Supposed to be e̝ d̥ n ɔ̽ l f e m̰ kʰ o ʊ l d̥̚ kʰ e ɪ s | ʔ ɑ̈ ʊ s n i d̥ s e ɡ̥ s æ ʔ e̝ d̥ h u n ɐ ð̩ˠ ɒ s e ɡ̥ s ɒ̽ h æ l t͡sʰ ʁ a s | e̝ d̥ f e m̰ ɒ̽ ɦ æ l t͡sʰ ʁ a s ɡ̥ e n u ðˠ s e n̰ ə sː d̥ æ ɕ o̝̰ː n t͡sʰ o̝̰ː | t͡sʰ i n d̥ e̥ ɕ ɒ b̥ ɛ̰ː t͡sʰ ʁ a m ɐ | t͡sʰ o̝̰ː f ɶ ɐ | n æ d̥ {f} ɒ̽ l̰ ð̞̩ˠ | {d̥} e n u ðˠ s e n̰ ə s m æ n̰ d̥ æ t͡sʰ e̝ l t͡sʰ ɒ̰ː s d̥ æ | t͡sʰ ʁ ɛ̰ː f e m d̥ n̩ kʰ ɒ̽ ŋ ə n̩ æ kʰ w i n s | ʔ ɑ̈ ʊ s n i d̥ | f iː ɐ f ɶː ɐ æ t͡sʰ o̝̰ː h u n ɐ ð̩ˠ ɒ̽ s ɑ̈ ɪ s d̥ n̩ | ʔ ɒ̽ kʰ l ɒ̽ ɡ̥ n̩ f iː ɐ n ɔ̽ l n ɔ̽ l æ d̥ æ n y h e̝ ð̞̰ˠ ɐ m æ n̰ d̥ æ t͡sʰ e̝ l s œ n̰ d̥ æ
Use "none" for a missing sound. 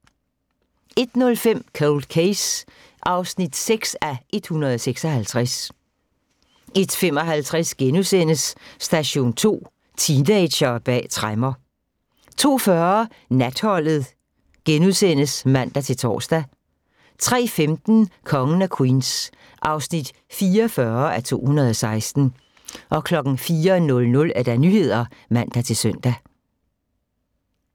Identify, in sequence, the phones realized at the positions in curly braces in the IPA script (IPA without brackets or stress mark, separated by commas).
h, ɡ̥